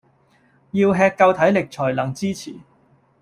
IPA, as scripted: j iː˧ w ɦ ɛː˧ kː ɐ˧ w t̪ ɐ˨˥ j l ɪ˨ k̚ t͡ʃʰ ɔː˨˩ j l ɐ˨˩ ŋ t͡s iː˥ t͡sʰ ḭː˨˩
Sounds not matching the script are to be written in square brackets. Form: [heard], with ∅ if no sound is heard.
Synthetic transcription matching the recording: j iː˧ w ɦ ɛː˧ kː ɐ˧ w [t̪ʰ] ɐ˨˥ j l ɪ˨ k̚ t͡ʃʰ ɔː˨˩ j l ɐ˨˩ ŋ t͡s iː˥ t͡sʰ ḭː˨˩